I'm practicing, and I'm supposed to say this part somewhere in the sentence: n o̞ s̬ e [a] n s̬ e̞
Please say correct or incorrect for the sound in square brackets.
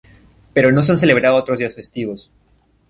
correct